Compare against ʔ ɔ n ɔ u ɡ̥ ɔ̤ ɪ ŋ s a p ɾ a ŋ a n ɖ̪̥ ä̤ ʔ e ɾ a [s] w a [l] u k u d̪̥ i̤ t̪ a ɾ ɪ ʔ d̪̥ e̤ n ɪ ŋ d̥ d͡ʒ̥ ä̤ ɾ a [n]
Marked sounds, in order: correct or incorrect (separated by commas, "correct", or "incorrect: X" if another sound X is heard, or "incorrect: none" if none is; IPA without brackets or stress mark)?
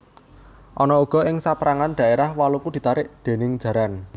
incorrect: h, correct, correct